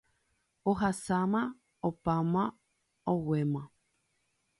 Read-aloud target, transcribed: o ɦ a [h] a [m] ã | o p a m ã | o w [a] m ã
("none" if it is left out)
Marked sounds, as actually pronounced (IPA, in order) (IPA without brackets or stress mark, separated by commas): s, m, e